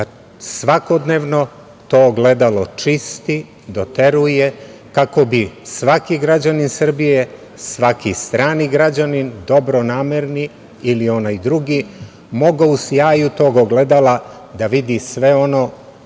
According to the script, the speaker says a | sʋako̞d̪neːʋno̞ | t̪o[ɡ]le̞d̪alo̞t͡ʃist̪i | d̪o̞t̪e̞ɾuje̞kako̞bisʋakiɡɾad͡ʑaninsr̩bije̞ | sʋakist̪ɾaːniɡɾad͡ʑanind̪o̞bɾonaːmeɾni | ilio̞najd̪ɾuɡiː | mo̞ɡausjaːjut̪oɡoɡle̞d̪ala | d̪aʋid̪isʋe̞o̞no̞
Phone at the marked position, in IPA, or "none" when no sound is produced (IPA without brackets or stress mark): ɡ